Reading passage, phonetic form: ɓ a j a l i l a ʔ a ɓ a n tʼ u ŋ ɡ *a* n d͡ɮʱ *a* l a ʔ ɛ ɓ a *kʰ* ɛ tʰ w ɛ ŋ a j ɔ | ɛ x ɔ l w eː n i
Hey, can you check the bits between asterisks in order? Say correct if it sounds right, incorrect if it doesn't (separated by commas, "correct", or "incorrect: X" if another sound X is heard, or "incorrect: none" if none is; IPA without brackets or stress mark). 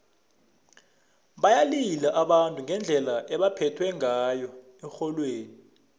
incorrect: ɛ, incorrect: ɛ, incorrect: pʰ